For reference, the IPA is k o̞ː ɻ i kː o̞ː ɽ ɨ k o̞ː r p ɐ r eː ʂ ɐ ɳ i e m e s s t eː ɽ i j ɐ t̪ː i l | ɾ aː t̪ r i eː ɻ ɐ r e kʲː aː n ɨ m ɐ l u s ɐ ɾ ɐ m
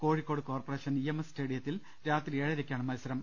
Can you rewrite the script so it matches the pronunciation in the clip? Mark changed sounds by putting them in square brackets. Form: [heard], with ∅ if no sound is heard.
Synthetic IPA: k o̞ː ɻ i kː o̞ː ɽ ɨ k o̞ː r p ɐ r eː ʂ ɐ [n] i e m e s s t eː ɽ i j ɐ t̪ː i l | ɾ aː t̪ r i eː ɻ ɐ [ɾ] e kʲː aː [ɳ] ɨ m ɐ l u s ɐ ɾ ɐ m